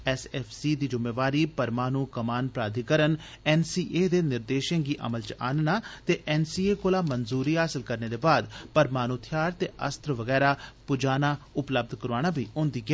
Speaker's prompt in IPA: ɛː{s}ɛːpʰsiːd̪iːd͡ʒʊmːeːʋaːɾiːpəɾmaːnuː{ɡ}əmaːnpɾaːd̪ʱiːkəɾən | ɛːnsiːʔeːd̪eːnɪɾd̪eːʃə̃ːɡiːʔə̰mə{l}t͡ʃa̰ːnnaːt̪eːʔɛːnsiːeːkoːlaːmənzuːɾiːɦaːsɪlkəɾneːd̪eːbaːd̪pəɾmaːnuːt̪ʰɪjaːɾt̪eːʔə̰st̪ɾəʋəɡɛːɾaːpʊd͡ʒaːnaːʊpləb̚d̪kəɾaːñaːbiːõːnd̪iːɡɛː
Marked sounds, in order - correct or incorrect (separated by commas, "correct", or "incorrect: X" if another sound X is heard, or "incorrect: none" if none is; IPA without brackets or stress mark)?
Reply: correct, incorrect: k, correct